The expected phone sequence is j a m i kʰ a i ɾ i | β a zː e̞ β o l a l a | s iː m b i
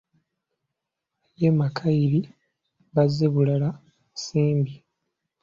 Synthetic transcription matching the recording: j e m a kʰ a i ɾ i | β a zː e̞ β u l a l a | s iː m b i